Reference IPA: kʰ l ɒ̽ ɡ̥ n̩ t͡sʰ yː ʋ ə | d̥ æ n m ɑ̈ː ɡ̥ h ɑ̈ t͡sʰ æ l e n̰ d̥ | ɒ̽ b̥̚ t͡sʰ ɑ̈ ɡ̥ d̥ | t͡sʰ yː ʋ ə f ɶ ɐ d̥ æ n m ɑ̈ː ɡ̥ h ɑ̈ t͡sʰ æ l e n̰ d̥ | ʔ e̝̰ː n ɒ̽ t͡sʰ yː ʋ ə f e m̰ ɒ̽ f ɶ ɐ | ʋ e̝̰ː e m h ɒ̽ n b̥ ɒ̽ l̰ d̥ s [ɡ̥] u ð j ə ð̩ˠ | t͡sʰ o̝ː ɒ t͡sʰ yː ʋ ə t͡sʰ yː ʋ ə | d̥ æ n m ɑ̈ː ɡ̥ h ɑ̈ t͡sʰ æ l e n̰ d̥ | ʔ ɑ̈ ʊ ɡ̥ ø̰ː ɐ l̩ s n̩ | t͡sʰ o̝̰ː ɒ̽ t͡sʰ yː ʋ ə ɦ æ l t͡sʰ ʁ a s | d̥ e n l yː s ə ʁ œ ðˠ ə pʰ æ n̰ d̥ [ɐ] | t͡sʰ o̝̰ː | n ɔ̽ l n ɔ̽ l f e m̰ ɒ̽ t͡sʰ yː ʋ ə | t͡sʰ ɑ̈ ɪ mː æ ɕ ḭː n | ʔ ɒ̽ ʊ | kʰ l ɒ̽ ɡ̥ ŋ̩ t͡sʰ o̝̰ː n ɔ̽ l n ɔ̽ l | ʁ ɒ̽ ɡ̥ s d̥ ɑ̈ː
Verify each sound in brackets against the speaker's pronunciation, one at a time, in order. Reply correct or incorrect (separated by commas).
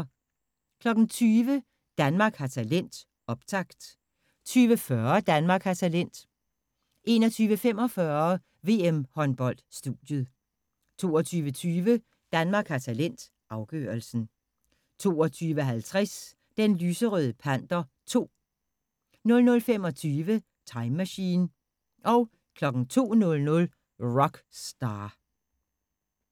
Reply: incorrect, correct